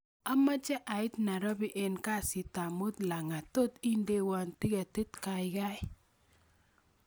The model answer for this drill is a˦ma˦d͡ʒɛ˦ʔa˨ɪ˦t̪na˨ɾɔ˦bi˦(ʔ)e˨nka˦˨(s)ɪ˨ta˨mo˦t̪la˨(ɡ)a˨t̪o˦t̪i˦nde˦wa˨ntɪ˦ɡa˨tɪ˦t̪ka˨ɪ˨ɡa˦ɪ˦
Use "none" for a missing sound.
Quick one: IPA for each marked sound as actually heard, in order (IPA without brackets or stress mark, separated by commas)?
ʔ, s, ŋ